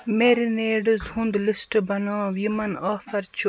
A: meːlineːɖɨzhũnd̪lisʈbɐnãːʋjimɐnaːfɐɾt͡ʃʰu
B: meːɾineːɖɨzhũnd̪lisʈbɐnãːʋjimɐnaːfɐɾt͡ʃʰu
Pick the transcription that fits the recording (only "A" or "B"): B